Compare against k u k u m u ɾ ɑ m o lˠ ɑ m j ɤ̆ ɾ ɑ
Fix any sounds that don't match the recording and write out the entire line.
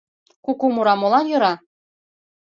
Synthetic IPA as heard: k u k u m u ɾ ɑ m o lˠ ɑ n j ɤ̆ ɾ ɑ